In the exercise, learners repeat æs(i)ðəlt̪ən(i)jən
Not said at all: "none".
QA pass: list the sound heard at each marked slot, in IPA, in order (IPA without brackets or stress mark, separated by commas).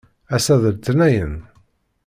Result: æ, æ